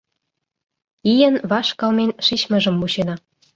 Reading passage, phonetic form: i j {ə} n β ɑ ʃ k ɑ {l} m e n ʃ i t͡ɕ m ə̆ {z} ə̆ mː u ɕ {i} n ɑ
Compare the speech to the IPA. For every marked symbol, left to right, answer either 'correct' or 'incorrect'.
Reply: correct, correct, incorrect: ʒ, incorrect: e

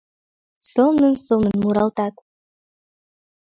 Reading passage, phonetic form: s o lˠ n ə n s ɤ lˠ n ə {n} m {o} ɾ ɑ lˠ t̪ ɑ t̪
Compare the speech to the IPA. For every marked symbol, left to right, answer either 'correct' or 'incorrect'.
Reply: correct, incorrect: u

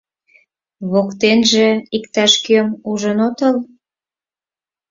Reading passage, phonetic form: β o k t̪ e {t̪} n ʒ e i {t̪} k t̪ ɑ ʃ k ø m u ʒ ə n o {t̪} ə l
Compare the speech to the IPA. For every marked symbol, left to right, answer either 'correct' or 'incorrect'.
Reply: incorrect: none, incorrect: none, correct

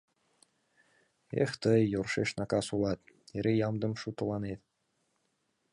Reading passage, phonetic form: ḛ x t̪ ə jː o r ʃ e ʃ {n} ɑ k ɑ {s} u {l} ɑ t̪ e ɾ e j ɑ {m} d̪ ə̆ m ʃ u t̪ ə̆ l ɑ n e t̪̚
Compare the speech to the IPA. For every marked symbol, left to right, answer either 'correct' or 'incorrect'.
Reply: correct, correct, correct, correct

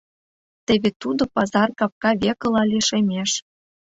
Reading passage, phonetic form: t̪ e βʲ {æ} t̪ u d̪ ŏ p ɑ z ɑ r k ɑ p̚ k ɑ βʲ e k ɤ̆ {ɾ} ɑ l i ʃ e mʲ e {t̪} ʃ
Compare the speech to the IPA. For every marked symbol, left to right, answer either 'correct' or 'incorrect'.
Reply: incorrect: e, incorrect: l, incorrect: none

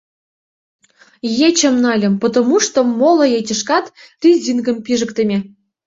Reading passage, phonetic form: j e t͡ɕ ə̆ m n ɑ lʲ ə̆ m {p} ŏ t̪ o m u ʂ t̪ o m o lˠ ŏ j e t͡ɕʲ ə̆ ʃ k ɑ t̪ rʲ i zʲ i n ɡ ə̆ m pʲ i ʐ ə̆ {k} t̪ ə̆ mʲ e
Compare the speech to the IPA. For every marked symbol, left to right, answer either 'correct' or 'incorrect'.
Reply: correct, correct

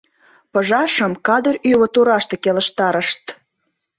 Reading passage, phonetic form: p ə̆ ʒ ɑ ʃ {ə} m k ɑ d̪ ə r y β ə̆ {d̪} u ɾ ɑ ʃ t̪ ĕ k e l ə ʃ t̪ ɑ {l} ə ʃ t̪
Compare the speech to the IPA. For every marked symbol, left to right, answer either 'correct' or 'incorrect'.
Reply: correct, incorrect: t̪, incorrect: ɾ

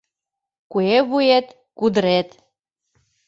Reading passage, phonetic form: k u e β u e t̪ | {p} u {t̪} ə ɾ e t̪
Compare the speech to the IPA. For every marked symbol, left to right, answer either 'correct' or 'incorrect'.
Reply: incorrect: k, incorrect: d̪

